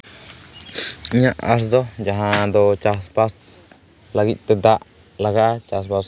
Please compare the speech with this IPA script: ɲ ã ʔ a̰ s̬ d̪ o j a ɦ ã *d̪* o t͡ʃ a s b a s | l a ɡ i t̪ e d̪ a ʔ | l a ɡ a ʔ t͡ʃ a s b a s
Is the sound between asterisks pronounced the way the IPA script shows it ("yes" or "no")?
yes